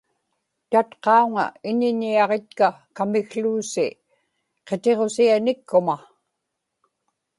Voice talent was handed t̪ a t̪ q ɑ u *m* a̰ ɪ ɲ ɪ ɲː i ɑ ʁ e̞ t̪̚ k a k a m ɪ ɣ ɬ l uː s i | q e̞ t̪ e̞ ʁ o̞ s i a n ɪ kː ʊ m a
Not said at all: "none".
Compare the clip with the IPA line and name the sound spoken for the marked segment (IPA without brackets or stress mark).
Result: ŋ